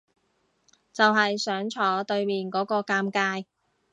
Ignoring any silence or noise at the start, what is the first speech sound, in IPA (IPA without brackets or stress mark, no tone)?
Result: t͡s